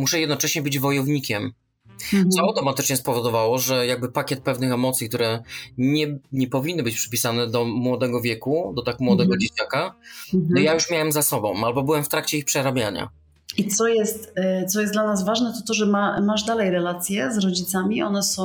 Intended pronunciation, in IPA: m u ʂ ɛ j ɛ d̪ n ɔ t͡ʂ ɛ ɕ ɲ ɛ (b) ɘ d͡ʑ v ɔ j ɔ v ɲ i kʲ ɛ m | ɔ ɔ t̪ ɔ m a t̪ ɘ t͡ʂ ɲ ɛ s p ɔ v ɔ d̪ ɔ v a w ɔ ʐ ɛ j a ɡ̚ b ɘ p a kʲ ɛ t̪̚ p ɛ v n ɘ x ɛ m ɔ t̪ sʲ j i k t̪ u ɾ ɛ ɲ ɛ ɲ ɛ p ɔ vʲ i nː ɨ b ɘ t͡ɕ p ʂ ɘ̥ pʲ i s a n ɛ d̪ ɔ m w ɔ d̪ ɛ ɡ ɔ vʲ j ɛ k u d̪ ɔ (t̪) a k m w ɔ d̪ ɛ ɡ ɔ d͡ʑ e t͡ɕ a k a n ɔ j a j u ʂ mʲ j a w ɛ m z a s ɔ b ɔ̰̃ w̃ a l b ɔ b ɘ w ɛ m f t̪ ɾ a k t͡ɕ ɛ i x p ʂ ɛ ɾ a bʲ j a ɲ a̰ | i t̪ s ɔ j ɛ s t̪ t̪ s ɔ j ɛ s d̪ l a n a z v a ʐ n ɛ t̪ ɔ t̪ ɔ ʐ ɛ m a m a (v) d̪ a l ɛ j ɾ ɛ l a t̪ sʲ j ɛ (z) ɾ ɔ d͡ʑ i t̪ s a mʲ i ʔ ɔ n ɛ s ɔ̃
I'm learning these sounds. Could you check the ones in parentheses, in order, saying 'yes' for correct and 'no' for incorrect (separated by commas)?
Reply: yes, yes, no, yes